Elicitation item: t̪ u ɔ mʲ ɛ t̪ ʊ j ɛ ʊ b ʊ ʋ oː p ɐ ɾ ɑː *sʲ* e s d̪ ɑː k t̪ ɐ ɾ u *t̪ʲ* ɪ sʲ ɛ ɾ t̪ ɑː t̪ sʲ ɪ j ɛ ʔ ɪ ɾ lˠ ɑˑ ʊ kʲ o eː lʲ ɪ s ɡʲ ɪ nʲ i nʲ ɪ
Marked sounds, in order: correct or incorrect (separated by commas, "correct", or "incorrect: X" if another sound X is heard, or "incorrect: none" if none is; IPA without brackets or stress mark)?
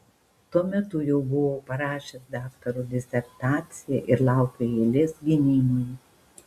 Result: incorrect: ʃʲ, incorrect: d̪ʲ